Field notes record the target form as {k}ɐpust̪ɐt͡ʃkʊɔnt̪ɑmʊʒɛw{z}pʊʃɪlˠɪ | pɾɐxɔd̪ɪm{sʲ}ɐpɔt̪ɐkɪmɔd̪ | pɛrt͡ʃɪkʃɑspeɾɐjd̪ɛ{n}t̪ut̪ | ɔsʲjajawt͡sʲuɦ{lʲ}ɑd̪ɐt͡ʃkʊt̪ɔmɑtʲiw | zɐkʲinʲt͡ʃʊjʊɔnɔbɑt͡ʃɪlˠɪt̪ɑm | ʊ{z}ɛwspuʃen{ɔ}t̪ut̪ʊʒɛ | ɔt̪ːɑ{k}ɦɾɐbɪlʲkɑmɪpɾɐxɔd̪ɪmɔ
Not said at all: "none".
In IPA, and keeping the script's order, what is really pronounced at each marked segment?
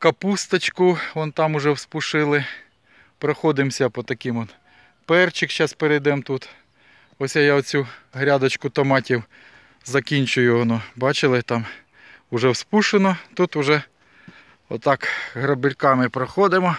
k, s, sʲ, m, ɾʲ, ʒ, ɔ, k

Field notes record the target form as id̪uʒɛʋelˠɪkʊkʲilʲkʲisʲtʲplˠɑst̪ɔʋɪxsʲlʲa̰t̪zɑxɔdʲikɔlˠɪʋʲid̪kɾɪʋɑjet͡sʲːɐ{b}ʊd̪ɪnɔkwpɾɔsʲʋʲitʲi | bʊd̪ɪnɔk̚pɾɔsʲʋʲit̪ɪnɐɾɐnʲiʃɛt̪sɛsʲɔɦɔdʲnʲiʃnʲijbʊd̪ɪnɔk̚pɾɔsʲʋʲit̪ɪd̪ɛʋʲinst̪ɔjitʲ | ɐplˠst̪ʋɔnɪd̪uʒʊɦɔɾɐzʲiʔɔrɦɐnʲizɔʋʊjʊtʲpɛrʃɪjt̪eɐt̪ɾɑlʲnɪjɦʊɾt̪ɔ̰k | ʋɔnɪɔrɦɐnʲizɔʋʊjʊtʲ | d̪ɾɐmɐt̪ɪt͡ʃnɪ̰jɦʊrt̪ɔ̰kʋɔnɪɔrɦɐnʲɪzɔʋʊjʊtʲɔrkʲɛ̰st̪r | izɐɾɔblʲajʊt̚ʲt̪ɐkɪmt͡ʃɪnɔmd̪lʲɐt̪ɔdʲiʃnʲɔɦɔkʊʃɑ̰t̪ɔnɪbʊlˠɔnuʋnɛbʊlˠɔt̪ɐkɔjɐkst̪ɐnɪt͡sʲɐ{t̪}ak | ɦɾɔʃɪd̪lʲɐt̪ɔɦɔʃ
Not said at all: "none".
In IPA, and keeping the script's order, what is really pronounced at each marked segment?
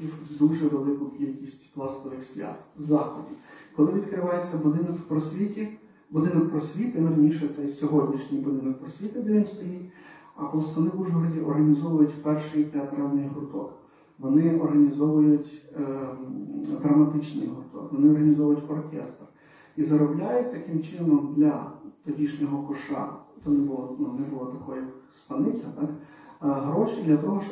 b, t̪

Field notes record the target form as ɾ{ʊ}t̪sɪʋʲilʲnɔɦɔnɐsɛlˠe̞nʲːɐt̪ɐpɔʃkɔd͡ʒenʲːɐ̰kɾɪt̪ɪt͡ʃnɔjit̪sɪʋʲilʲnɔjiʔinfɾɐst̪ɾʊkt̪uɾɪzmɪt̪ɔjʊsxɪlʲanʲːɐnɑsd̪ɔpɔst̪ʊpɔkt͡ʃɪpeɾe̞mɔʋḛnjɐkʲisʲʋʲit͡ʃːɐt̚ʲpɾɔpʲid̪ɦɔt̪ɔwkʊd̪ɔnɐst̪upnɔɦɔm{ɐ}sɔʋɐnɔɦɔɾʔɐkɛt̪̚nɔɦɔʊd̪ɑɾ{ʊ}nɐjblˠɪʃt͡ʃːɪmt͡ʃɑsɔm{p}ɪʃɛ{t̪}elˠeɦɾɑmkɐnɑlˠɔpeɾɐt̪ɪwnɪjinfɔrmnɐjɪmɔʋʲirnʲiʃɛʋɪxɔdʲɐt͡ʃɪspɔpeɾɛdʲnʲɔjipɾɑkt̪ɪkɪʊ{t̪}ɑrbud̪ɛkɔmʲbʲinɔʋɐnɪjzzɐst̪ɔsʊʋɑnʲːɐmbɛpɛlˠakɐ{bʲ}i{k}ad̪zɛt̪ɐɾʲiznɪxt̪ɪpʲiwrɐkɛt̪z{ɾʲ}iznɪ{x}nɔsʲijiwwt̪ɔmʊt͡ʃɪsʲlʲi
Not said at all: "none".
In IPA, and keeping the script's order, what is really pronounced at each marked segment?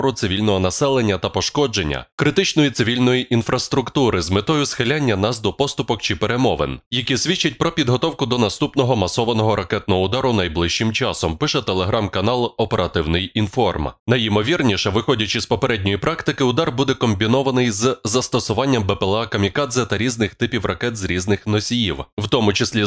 ʊ, ɐ, ʊ, p, t̪, d̪, mʲ, k, ɾʲ, x

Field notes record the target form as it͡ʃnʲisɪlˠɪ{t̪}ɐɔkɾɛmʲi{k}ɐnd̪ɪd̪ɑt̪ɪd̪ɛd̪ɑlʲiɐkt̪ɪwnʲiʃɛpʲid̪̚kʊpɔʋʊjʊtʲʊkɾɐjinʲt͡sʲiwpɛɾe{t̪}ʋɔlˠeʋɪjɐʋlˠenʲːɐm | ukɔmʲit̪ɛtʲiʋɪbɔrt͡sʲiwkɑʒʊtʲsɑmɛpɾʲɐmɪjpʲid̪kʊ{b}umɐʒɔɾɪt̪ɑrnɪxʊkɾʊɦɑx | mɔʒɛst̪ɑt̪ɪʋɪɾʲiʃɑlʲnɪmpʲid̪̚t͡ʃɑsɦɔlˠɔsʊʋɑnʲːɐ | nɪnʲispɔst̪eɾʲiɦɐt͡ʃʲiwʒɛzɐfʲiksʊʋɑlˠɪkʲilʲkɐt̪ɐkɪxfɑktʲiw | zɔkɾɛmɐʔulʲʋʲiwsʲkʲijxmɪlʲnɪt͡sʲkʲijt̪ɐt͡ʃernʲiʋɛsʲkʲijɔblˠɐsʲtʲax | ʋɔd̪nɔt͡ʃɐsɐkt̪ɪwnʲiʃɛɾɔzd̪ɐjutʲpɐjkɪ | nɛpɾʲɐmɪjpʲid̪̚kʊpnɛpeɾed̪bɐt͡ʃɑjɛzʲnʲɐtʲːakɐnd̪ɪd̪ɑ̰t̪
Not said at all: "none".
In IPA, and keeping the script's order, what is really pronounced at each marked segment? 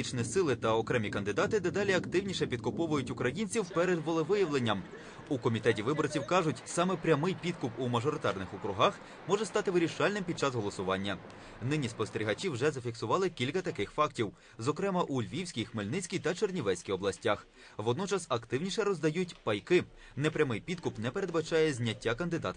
t̪, k, d̪, p

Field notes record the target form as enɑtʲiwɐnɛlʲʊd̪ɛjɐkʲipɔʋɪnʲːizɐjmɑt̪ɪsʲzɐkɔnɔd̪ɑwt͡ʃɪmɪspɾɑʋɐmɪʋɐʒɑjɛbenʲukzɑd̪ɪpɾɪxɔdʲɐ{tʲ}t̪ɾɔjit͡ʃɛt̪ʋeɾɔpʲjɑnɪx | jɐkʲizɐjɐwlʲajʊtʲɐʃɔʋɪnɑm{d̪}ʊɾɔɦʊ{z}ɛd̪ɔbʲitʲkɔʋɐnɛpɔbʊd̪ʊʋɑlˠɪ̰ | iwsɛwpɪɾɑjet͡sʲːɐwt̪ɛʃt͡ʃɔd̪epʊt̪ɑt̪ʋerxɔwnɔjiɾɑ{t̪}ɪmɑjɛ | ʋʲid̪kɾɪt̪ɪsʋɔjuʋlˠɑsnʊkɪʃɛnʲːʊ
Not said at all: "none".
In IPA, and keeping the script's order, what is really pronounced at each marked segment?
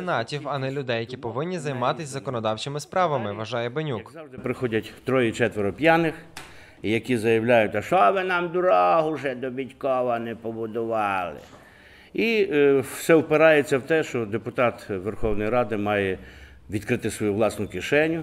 tʲ, d̪, ʒ, d̪

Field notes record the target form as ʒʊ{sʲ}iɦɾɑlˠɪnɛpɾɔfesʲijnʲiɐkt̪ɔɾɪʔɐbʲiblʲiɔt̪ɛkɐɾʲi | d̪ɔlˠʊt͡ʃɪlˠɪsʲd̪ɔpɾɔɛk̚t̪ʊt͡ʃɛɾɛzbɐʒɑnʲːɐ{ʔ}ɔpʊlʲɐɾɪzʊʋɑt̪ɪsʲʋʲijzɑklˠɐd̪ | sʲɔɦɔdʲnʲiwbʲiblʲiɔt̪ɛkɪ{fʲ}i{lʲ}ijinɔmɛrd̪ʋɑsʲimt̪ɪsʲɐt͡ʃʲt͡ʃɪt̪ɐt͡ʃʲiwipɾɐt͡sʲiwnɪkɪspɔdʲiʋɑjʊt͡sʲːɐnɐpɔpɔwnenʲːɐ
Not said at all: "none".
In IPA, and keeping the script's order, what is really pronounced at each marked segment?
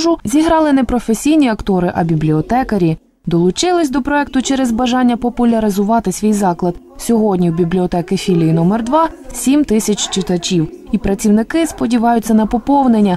zʲ, p, fʲ, lʲ

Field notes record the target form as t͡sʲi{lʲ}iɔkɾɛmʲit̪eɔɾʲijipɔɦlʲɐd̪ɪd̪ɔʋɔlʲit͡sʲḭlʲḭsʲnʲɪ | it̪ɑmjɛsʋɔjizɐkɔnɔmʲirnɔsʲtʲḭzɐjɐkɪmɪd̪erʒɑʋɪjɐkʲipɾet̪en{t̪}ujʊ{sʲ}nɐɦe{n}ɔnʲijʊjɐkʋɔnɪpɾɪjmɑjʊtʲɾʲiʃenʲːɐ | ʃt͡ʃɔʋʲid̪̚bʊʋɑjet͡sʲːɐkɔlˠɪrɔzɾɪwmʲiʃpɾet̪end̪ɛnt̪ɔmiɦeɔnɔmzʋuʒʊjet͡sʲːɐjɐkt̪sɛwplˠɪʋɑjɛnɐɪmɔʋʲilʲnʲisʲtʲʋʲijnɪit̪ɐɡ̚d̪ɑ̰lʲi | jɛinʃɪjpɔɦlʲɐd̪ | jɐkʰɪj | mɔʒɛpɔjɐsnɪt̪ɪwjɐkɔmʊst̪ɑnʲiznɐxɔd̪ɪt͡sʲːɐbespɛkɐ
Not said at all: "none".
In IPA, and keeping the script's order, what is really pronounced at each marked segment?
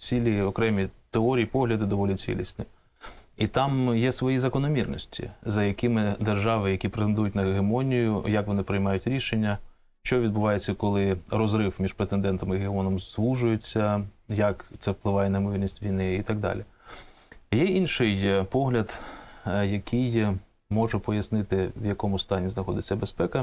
lʲ, d̪, tʲ, m

